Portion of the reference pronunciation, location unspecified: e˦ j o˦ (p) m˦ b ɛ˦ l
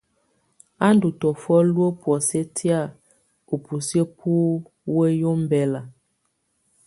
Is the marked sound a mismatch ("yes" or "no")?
yes